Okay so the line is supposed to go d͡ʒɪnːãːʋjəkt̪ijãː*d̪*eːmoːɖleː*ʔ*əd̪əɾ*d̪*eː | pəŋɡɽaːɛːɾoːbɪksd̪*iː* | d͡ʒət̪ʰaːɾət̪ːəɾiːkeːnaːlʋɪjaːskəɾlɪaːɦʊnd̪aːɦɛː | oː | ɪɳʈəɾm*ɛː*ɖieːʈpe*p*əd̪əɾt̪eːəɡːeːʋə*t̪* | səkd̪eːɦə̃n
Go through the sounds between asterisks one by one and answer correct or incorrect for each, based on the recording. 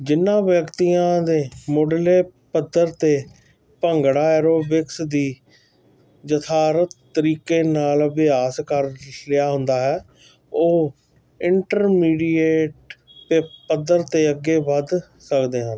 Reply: correct, incorrect, incorrect, correct, incorrect, correct, incorrect

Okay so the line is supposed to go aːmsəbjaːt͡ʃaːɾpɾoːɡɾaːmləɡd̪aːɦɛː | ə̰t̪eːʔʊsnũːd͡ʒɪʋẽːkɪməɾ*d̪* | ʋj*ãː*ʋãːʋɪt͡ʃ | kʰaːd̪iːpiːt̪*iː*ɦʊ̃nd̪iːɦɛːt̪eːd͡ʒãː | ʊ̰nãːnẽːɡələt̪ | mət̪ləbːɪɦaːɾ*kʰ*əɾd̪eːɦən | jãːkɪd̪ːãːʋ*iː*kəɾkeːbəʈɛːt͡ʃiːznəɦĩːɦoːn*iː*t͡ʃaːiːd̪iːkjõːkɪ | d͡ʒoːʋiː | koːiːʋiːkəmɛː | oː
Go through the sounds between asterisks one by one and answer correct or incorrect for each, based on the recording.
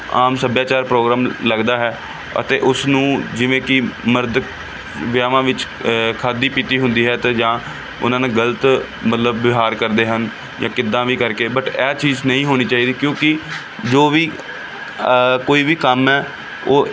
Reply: correct, incorrect, correct, incorrect, correct, correct

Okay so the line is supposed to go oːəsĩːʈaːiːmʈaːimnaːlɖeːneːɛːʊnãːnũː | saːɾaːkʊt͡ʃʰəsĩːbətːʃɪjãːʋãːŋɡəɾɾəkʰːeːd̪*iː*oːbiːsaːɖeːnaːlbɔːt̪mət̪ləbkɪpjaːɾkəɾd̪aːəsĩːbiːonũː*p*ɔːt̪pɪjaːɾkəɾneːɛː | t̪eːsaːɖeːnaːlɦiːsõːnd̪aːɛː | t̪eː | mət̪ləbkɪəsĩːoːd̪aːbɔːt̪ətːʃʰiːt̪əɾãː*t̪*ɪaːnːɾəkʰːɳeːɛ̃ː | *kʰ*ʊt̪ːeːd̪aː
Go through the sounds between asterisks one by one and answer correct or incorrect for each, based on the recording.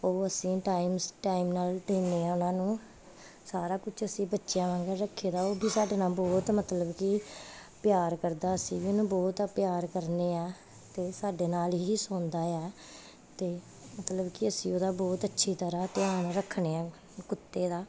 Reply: incorrect, incorrect, correct, incorrect

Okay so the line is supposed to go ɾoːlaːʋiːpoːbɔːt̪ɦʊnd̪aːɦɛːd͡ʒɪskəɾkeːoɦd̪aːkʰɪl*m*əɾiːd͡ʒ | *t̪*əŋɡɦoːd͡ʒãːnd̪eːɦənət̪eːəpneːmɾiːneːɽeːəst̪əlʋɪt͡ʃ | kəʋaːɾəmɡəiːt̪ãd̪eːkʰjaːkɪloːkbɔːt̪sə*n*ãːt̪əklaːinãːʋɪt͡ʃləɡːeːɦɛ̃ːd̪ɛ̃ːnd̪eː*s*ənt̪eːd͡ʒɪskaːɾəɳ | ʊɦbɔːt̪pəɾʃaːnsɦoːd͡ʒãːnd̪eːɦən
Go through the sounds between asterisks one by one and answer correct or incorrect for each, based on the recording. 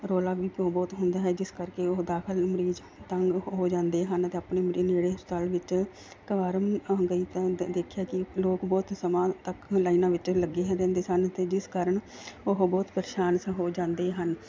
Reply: correct, correct, incorrect, correct

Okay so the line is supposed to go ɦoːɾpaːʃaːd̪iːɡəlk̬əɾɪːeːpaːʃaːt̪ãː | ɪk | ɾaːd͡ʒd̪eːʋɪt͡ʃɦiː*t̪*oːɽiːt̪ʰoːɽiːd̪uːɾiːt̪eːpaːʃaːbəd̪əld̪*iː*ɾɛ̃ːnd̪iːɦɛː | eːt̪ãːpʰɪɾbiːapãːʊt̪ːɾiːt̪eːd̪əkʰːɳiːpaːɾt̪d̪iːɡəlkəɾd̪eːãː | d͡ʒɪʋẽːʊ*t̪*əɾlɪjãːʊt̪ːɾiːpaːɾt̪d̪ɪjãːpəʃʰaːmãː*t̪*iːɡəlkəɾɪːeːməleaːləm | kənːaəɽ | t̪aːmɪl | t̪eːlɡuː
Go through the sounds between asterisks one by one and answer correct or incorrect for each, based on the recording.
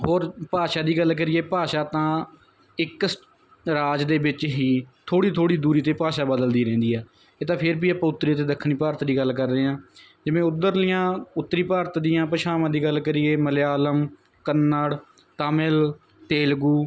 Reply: incorrect, correct, incorrect, incorrect

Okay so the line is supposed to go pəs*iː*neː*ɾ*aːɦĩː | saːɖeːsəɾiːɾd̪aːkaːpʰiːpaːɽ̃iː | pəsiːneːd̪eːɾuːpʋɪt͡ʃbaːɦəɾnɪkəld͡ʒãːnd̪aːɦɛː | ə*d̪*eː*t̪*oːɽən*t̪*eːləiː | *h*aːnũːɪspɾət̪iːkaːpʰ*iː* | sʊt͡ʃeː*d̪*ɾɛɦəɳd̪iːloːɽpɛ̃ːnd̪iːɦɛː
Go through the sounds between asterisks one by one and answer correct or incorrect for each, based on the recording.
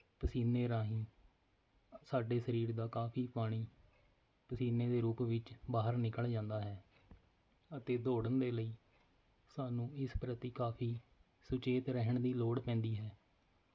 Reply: correct, correct, incorrect, incorrect, incorrect, incorrect, correct, incorrect

